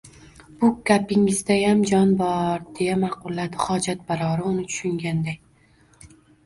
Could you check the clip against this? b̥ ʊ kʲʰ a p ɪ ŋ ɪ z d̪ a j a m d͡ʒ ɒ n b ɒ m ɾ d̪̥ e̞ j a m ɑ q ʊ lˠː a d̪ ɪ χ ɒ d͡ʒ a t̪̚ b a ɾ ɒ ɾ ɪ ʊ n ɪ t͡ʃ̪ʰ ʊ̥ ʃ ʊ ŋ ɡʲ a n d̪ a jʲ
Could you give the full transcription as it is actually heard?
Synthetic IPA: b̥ ʊ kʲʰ a p ɪ ŋ ɪ z d̪ a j a m d͡ʒ ɒ n b ɒ ɾ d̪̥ e̞ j a m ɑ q ʊ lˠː a d̪ ɪ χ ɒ d͡ʒ a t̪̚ b a ɾ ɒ ɾ ɪ ʊ n ɪ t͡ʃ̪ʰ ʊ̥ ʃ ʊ ŋ ɡʲ a n d̪ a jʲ

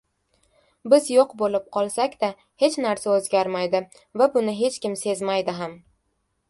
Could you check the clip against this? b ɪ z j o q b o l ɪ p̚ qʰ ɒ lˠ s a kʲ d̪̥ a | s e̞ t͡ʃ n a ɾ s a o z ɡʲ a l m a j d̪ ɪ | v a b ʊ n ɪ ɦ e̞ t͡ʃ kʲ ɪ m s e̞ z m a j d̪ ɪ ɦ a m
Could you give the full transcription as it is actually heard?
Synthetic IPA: b ɪ z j o q b o l ɪ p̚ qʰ ɒ lˠ s a kʲ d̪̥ a | h e̞ t͡ʃ n a ɾ s a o z ɡʲ a ɾ m a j d̪ ɪ | v a b ʊ n ɪ ɦ e̞ t͡ʃ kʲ ɪ m s e̞ z m a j d̪ ɪ ɦ a m

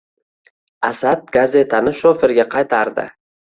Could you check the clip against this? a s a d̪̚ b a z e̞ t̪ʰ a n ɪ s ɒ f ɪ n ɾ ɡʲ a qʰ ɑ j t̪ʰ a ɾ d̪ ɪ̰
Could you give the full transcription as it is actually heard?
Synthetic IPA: a s a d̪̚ ɡ a z e̞ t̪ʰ a n ɪ ʃ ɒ f ɪ ɾ ɡʲ a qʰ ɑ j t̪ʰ a ɾ d̪ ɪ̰

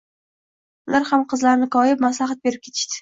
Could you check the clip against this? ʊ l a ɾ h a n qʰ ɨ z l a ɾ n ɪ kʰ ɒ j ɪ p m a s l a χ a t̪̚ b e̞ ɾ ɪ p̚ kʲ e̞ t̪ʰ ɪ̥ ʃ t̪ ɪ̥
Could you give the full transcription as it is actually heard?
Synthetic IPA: ʊ l a ɾ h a m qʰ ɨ z l a ɾ n ɪ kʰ ɒ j ɪ p m a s l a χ a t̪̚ b e̞ ɾ ɪ p̚ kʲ e̞ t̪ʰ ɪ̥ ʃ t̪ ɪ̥

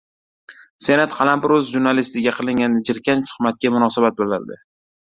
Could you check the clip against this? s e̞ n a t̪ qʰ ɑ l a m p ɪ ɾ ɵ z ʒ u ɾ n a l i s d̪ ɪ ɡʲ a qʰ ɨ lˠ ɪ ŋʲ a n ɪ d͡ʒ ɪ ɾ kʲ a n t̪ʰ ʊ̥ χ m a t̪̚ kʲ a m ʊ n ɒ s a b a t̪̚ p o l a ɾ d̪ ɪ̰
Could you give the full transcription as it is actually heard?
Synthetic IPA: s e̞ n a t̪ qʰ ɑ l a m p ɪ ɾ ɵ z ʒ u ɾ n a l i s t̪ ɪ ɡʲ a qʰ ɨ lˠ ɪ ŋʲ a n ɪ d͡ʒ ɪ ɾ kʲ a n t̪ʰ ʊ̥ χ m a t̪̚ kʲ a m ʊ n ɒ s a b a t̪̚ b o l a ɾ d̪ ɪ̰

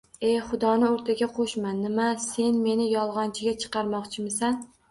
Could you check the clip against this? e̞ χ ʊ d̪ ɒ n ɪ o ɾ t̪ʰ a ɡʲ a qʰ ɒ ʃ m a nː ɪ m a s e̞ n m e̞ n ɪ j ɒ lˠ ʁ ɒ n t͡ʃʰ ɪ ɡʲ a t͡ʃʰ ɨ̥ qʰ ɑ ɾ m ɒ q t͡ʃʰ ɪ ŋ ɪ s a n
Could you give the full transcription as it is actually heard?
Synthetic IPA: e̞ χ ʊ d̪ ɒ n ɪ o ɾ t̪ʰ a ɡʲ a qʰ o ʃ m a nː ɪ m a s e̞ n m e̞ n ɪ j ɒ lˠ ʁ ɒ n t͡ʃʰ ɪ ɡʲ a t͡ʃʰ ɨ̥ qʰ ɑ ɾ m ɒ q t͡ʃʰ ɪ m ɪ s a n

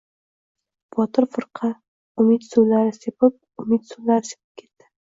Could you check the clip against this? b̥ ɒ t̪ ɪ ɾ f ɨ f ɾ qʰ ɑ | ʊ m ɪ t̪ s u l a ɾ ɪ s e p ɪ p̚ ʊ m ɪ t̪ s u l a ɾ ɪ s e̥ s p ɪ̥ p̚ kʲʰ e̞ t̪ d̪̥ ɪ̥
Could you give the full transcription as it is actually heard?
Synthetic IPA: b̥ ɒ t̪ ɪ ɾ f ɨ ɾ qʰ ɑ | ʊ m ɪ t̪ s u l a ɾ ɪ s e p ɪ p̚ ʊ m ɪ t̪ s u l a ɾ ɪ s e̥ p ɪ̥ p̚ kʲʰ e̞ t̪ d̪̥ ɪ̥

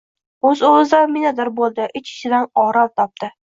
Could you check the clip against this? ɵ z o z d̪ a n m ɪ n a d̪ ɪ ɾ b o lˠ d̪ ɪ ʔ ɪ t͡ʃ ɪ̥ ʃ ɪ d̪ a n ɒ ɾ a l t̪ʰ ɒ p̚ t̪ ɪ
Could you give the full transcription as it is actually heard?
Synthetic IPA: ɵ z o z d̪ a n m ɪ n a d̪ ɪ ɾ b o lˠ d̪ ɪ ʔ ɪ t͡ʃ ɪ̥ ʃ ɪ d̪ a n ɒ ɾ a l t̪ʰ ɒ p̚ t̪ ɪ

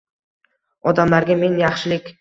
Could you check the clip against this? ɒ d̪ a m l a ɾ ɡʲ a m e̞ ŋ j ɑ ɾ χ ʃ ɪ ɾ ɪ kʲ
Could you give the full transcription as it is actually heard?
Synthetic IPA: ɒ d̪ a m l a ɾ ɡʲ a m e̞ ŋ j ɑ χ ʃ ɪ l ɪ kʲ

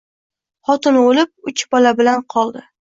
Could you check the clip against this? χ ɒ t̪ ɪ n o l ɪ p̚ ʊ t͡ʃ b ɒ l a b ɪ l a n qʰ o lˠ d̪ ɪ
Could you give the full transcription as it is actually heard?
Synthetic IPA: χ ɒ t̪ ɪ n o l ɪ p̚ ʊ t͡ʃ b ɒ l a b ɪ l a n qʰ ɒ lˠ d̪ ɪ

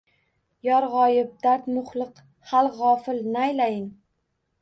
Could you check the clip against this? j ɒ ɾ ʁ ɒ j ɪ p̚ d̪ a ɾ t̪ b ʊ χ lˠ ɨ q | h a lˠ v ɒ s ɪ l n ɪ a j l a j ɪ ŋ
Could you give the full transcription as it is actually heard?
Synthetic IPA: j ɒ ɾ ʁ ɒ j ɪ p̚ d̪ a ɾ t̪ m ʊ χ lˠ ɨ q | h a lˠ ʁ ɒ f ɪ l n ɪ a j l a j ɪ ŋ

